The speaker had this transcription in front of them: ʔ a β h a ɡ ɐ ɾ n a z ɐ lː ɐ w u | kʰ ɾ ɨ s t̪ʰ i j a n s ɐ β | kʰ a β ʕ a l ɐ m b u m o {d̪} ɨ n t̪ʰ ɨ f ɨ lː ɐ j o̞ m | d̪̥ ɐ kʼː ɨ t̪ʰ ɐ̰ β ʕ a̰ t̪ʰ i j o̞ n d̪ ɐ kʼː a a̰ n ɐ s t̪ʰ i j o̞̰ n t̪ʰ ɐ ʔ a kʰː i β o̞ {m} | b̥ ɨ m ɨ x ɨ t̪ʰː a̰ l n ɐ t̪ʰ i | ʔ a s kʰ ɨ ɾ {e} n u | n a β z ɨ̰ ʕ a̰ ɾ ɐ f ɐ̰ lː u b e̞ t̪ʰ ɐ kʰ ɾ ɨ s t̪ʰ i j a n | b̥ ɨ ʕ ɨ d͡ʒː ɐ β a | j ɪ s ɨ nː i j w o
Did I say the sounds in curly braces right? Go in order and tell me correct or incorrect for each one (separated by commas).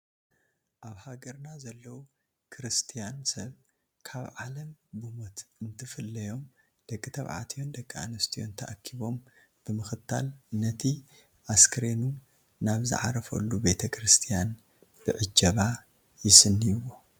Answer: incorrect, correct, correct